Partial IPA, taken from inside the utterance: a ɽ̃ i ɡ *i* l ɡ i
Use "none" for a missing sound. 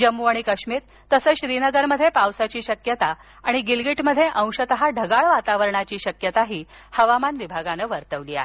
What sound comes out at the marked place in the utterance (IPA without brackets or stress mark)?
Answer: i